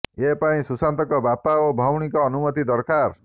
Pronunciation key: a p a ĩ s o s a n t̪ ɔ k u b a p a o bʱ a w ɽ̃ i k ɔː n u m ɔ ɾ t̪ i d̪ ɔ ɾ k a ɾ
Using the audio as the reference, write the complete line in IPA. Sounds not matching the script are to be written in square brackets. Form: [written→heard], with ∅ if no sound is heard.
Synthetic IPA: [a→e] p a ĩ s [o→u] s a n t̪ ɔ k [u→ɔ] b a p a o bʱ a w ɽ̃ i k ɔː n u m ɔ [ɾ→∅] t̪ i d̪ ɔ ɾ k a ɾ